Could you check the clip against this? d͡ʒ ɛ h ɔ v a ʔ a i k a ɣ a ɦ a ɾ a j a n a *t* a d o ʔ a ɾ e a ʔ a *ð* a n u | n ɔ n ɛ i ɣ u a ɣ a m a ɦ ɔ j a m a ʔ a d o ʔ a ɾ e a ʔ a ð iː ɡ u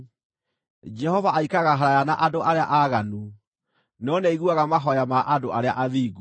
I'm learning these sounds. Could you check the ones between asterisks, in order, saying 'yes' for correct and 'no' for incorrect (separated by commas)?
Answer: no, no